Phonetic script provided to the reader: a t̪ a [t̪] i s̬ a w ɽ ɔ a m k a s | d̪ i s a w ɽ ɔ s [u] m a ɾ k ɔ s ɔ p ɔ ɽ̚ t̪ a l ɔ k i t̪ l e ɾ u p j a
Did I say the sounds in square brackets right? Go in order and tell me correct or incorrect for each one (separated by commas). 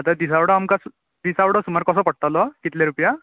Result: incorrect, correct